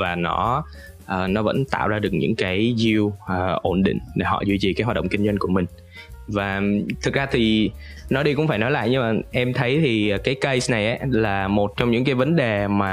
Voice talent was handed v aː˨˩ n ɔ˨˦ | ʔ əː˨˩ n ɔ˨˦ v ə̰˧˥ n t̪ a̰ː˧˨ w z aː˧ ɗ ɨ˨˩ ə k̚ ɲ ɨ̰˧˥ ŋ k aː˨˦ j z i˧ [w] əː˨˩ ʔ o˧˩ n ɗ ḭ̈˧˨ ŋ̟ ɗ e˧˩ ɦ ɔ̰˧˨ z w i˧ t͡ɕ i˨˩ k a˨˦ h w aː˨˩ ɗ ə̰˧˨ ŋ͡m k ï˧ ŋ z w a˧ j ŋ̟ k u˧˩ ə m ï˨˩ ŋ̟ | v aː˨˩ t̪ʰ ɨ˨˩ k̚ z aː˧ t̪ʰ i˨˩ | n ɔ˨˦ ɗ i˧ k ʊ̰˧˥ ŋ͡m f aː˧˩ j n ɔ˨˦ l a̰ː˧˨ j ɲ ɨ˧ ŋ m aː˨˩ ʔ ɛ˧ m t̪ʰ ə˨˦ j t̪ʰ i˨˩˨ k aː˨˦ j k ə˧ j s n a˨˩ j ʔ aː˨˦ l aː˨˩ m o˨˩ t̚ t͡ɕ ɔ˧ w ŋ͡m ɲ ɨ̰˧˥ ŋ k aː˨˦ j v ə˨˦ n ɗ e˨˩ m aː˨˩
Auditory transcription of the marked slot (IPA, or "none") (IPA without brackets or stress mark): w